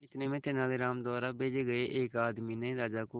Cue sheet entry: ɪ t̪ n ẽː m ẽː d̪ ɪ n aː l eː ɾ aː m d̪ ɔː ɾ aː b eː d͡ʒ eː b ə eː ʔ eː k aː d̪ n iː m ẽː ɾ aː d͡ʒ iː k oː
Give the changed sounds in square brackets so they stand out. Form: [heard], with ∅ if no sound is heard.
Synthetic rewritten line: ɪ t̪ n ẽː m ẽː [t̪] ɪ n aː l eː ɾ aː m d̪ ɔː ɾ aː b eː d͡ʒ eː [ɡ] ə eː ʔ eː k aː d̪ [m] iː [n] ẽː ɾ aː d͡ʒ [aː] k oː